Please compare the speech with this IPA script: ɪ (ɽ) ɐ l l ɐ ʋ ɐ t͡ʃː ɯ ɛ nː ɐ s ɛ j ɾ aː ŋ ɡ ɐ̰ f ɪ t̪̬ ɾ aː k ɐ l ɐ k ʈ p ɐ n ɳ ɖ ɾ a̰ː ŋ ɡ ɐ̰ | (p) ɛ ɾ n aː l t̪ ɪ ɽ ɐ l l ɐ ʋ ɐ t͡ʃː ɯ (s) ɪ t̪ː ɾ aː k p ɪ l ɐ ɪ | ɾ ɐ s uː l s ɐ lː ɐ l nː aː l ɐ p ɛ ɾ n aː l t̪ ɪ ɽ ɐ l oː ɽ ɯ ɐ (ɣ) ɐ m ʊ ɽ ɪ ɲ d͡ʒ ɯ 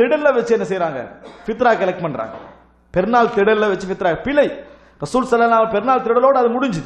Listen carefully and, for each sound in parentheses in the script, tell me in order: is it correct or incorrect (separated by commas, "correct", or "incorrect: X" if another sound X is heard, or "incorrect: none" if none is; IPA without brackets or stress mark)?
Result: correct, correct, incorrect: f, incorrect: ð